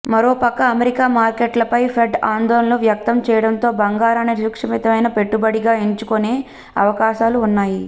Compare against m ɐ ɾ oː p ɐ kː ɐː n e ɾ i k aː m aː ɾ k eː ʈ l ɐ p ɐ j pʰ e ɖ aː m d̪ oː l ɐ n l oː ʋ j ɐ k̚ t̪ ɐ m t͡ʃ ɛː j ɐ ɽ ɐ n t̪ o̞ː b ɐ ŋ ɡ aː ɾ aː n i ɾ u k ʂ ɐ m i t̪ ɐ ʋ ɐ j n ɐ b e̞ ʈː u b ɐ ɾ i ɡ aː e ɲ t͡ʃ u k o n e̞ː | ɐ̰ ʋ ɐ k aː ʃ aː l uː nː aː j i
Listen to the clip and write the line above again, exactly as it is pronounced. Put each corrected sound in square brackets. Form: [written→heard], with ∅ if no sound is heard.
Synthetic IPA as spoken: m ɐ ɾ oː p ɐ kː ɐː [n→m] e ɾ i k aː m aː ɾ k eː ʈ l ɐ p ɐ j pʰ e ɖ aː [m→n] d̪ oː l ɐ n l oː ʋ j ɐ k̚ t̪ ɐ m t͡ʃ ɛː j ɐ ɽ ɐ n t̪ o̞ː b ɐ ŋ ɡ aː ɾ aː n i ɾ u k ʂ ɐ m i t̪ ɐ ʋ ɐ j n ɐ [b→p] e̞ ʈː u b ɐ [ɾ→ɽ] i ɡ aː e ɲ t͡ʃ u k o n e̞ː | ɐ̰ ʋ ɐ k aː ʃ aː l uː nː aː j i